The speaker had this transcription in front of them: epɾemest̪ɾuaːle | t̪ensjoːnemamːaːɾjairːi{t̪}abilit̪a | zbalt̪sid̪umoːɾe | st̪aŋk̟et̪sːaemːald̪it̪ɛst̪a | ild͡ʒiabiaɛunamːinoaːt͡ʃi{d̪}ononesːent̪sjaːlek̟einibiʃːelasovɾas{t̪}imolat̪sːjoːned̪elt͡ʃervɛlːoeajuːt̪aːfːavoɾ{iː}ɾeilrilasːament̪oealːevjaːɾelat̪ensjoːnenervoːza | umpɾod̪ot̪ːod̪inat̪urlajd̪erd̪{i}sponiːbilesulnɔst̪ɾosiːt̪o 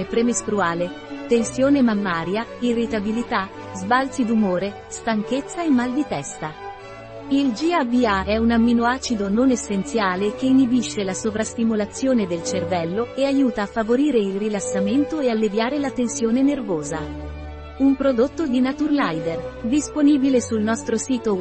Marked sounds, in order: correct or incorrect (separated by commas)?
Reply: correct, correct, correct, correct, correct